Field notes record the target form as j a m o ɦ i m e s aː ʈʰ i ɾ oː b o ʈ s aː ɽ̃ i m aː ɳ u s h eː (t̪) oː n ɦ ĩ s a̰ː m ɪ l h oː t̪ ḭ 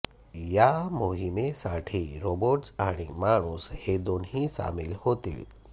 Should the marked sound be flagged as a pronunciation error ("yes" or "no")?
yes